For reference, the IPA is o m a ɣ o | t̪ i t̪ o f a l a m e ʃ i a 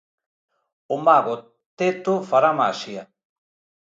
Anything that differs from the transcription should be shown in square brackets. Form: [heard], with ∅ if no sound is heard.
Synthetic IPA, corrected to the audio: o m a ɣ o | t̪ [e] t̪ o f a [ɾ] a m [a] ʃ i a